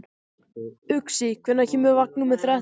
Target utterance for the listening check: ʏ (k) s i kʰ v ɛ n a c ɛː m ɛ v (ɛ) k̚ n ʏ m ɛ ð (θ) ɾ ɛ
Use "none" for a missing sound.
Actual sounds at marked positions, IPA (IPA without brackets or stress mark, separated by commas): k, a, θ